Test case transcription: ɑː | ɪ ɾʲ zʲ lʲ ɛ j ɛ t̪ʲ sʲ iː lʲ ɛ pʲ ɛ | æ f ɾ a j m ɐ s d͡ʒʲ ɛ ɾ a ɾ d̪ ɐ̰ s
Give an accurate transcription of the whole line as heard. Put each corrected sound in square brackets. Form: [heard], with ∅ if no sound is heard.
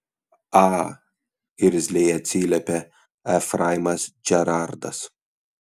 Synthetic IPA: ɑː | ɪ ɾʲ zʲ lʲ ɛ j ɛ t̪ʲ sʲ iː lʲ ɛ pʲ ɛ | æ f ɾ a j m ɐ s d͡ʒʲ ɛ ɾ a ɾ d̪ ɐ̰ s

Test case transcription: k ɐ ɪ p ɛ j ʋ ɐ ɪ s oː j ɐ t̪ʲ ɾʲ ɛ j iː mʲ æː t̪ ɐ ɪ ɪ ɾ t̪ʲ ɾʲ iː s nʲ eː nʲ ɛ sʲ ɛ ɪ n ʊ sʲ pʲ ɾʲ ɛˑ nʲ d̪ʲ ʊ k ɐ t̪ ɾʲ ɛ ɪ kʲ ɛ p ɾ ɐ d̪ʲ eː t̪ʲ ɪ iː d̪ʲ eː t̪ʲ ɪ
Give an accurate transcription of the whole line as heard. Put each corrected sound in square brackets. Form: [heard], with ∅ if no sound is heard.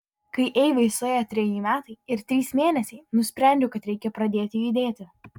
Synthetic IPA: k ɐ ɪ [ʔ] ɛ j ʋ ɐ ɪ s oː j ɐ t̪ʲ ɾʲ ɛ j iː mʲ æː t̪ ɐ ɪ ɪ ɾ t̪ʲ ɾʲ iː s [mʲ] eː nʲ ɛ sʲ ɛ ɪ n ʊ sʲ pʲ ɾʲ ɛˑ nʲ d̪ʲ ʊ k ɐ t̪ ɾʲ ɛ ɪ kʲ ɛ p ɾ ɐ d̪ʲ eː t̪ʲ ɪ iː d̪ʲ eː t̪ʲ ɪ

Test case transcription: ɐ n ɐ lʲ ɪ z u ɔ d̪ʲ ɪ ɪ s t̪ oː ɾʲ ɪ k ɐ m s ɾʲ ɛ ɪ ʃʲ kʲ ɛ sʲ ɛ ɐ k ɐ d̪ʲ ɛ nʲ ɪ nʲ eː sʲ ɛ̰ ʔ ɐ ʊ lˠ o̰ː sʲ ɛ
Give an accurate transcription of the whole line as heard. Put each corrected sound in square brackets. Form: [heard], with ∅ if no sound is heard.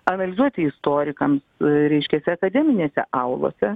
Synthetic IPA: ɐ n ɐ lʲ ɪ z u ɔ [t̪ʲ] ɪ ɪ s t̪ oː ɾʲ ɪ k ɐ m s ɾʲ ɛ ɪ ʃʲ kʲ ɛ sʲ ɛ ɐ k ɐ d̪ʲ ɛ [mʲ] ɪ nʲ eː sʲ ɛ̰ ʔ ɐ ʊ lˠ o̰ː sʲ ɛ

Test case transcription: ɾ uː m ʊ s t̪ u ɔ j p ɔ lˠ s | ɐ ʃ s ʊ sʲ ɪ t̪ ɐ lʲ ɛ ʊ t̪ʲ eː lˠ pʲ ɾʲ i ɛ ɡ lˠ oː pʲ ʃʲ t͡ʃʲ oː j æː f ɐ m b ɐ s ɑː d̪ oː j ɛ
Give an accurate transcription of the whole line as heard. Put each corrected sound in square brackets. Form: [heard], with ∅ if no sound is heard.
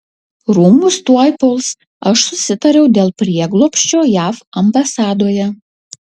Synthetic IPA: ɾ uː m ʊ s t̪ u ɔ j p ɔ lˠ s | ɐ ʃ s ʊ sʲ ɪ t̪ ɐ [ɾʲ] ɛ ʊ [d̪ʲ] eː lˠ pʲ ɾʲ i ɛ ɡ lˠ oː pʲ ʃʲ t͡ʃʲ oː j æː f ɐ m b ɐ s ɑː d̪ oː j ɛ

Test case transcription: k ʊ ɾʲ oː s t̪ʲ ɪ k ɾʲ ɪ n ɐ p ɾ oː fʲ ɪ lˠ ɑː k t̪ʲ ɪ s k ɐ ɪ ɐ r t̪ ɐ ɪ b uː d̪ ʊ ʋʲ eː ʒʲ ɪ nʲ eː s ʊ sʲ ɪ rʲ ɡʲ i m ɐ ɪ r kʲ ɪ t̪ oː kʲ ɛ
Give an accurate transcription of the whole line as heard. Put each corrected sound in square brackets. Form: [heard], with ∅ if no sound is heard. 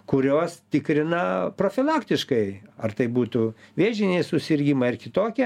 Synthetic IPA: k ʊ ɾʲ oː s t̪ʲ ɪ k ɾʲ ɪ n ɐ p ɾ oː fʲ ɪ lˠ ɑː k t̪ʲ ɪ [ʃ] k ɐ ɪ ɐ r t̪ ɐ ɪ b uː [t̪] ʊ ʋʲ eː ʒʲ ɪ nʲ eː s ʊ sʲ ɪ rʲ ɡʲ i m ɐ ɪ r kʲ ɪ t̪ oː kʲ ɛ

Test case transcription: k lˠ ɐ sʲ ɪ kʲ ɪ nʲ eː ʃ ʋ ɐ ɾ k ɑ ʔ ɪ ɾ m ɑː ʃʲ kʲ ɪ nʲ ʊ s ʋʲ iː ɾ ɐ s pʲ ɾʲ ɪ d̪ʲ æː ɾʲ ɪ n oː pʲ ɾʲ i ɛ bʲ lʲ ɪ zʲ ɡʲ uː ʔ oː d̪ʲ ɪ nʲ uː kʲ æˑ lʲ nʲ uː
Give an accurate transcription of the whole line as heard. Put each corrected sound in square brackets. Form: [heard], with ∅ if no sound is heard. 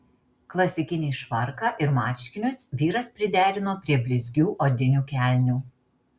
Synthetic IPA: k lˠ ɐ sʲ ɪ kʲ ɪ nʲ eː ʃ ʋ ɐ ɾ k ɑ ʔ ɪ ɾ m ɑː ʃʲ kʲ ɪ nʲ ʊ s ʋʲ iː ɾ ɐ s pʲ ɾʲ ɪ d̪ʲ æː ɾʲ ɪ n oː pʲ ɾʲ i ɛ bʲ lʲ ɪ zʲ ɡʲ uː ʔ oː d̪ʲ ɪ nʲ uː kʲ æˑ lʲ nʲ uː

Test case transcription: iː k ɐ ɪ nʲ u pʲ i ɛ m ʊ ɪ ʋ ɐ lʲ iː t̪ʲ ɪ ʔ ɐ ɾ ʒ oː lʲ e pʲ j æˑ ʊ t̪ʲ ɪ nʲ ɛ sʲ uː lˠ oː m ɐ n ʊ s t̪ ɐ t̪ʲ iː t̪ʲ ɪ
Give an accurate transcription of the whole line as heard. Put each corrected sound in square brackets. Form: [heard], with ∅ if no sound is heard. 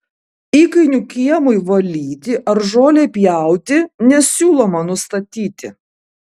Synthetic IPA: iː k ɐ ɪ nʲ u [kʲ] i ɛ m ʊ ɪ ʋ ɐ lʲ iː t̪ʲ ɪ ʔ ɐ ɾ ʒ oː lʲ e pʲ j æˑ ʊ t̪ʲ ɪ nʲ ɛ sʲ uː lˠ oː m ɐ n ʊ s t̪ ɐ t̪ʲ iː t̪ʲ ɪ

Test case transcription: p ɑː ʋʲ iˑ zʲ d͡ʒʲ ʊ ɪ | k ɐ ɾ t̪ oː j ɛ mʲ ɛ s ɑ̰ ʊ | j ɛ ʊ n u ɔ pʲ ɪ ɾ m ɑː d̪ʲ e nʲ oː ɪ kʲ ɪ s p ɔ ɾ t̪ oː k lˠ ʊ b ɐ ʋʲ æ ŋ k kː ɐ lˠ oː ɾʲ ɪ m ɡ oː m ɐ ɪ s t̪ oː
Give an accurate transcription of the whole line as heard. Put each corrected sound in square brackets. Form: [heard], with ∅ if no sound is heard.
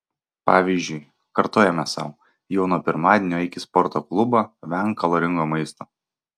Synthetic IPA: p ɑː ʋʲ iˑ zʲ d͡ʒʲ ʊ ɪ | k ɐ ɾ t̪ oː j ɛ mʲ ɛ s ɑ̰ ʊ | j ɛ ʊ n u ɔ pʲ ɪ ɾ m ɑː d̪ʲ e nʲ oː ɪ kʲ ɪ s p ɔ ɾ t̪ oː k lˠ ʊ b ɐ ʋʲ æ ŋ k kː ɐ lˠ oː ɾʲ ɪ [ŋ] ɡ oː m ɐ ɪ s t̪ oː

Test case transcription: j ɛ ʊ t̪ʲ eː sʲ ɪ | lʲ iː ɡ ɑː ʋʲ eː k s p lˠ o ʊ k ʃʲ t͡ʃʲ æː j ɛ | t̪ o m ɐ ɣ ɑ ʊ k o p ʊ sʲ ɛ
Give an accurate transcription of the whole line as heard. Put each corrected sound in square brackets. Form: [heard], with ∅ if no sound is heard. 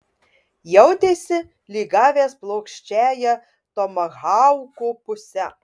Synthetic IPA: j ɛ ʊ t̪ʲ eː sʲ ɪ | lʲ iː ɡ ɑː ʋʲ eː [∅] s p lˠ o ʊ k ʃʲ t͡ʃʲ æː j ɛ | t̪ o m ɐ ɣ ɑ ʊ k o p ʊ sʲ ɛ

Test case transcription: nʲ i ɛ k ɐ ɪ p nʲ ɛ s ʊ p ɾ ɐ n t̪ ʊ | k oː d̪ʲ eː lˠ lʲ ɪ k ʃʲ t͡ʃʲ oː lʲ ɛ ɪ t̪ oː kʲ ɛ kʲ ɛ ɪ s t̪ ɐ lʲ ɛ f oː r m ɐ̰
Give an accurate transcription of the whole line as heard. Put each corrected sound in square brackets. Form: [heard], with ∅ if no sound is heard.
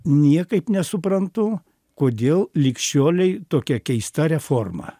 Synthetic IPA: nʲ i ɛ k ɐ ɪ p nʲ ɛ s ʊ p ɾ ɐ n t̪ ʊ | k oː d̪ʲ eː lˠ lʲ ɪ k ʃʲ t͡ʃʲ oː lʲ ɛ ɪ t̪ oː kʲ ɛ kʲ ɛ ɪ s t̪ ɐ [ɾʲ] ɛ f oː r m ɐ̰

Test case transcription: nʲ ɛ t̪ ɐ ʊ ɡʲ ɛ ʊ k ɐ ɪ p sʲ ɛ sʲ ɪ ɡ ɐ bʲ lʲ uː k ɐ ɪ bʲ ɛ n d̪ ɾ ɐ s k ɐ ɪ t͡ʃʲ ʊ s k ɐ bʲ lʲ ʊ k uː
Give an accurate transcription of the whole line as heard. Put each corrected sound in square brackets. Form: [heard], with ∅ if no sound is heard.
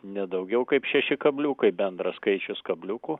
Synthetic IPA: nʲ ɛ [d̪] ɐ ʊ ɡʲ ɛ ʊ k ɐ ɪ p [ʃʲ] ɛ [ʃʲ] ɪ [k] ɐ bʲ lʲ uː k ɐ ɪ bʲ ɛ n d̪ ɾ ɐ s k ɐ ɪ t͡ʃʲ ʊ s k ɐ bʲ lʲ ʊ k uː

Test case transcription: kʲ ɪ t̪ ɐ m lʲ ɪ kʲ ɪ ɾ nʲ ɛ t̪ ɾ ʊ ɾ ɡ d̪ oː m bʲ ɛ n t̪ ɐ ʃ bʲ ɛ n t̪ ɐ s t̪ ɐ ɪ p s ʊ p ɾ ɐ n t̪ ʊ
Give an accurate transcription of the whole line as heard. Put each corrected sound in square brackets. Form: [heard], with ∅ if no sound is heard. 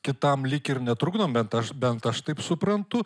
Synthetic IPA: kʲ ɪ t̪ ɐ m lʲ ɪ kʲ ɪ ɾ nʲ ɛ t̪ ɾ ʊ [∅] ɡ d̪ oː m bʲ ɛ n t̪ ɐ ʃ bʲ ɛ n t̪ ɐ [ʃ] t̪ ɐ ɪ p s ʊ p ɾ ɐ n t̪ ʊ

